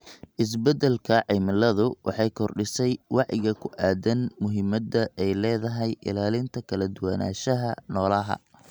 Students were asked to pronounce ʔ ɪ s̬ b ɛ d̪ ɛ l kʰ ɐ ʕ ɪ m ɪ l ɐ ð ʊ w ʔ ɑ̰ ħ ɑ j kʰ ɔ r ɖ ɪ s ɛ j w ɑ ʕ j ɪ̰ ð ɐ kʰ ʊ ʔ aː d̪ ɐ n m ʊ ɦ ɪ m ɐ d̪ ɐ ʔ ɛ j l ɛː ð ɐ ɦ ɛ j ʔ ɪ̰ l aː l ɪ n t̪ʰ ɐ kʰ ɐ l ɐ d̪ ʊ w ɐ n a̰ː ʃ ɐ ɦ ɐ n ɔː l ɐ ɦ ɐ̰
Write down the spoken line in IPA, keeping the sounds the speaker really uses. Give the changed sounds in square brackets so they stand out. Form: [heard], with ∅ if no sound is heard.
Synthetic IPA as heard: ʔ ɪ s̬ b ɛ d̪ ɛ l kʰ ɐ ʕ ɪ m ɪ l ɐ ð ʊ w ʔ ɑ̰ ħ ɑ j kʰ ɔ r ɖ ɪ s ɛ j w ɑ ʕ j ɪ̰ [ɣ] ɐ kʰ ʊ ʔ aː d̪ ɐ n m ʊ ɦ ɪ m ɐ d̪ ɐ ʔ ɛ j l ɛː ð ɐ ɦ ɛ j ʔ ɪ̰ l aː l ɪ n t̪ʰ ɐ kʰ ɐ l ɐ d̪ ʊ w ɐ n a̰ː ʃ ɐ ɦ ɐ n ɔː l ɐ ɦ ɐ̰